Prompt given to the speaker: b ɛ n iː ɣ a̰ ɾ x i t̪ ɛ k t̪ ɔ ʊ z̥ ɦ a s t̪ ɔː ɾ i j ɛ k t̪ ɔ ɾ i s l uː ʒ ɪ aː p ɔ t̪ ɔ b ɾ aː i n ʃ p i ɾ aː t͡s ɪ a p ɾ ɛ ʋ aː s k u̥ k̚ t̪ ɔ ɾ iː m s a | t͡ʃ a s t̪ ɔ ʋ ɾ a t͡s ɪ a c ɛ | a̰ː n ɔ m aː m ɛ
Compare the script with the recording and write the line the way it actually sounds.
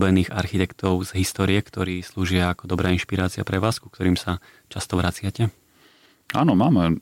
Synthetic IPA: b ɛ n iː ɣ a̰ ɾ x i t̪ ɛ k t̪ ɔ ʊ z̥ ɦ i s t̪ ɔː ɾ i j ɛ k t̪ ɔ ɾ iː s l uː ʒ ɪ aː k ɔ d̪ ɔ b ɾ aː i n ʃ p i ɾ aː t͡s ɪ a p ɾ ɛ ʋ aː s k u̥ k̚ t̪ ɔ ɾ iː m s a | t͡ʃ a s t̪ ɔ ʋ ɾ a t͡s ɪ a c ɛ | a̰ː n ɔ m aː m ɛ